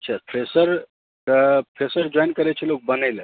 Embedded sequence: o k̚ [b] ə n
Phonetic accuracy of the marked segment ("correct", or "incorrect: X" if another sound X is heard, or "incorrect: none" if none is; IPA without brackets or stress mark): correct